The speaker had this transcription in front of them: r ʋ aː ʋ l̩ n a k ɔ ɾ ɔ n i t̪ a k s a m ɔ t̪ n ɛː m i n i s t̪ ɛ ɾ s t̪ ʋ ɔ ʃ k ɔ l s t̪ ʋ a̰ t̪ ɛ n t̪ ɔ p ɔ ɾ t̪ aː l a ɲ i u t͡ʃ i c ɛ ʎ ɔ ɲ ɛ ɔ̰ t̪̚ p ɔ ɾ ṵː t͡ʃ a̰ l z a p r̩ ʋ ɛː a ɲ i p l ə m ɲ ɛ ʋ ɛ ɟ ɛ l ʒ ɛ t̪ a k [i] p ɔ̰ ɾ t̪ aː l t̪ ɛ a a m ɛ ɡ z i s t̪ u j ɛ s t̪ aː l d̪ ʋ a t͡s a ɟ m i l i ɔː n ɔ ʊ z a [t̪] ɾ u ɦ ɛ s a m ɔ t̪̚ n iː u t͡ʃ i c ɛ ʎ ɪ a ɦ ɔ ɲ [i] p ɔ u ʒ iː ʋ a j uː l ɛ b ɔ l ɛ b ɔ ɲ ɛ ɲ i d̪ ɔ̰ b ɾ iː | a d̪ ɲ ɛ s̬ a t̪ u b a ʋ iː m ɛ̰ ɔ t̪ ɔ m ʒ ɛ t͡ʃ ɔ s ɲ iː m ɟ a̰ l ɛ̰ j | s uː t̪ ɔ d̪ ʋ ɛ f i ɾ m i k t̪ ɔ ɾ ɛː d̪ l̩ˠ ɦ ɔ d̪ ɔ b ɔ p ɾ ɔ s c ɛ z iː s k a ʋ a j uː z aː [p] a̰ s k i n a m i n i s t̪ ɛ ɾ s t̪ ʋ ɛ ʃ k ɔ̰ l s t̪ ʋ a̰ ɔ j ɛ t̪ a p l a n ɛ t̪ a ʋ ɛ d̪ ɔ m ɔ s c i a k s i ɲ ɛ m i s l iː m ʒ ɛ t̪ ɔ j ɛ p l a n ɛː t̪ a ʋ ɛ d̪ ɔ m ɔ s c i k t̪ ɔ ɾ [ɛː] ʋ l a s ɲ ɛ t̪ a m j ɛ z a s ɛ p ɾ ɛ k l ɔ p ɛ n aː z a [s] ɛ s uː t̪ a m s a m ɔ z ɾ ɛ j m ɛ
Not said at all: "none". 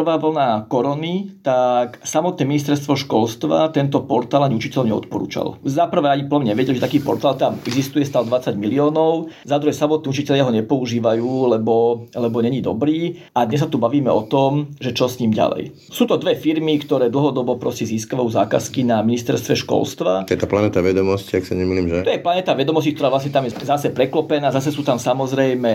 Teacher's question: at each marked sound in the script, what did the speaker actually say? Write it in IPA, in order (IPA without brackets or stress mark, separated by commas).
iː, d̪, ɛ, k, aː, s